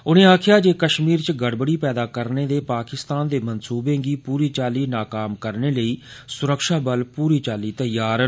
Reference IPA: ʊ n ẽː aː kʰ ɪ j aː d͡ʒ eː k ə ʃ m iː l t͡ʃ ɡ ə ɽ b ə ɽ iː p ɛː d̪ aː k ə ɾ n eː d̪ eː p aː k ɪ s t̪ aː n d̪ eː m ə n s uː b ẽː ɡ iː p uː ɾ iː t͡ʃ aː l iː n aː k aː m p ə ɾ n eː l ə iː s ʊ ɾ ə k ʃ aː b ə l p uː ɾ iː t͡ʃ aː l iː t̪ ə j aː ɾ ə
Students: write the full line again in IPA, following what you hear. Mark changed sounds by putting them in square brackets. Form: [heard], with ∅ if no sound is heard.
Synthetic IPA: ʊ n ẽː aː kʰ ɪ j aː d͡ʒ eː k ə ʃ m iː [ɾ] t͡ʃ ɡ ə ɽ b ə ɽ iː p ɛː d̪ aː k ə ɾ n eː d̪ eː p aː k ɪ s t̪ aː n d̪ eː m ə n s uː b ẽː ɡ iː p uː ɾ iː t͡ʃ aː l iː n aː k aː m [k] ə ɾ n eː l ə iː s ʊ ɾ ə k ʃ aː b ə l p uː ɾ iː t͡ʃ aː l iː t̪ ə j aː ɾ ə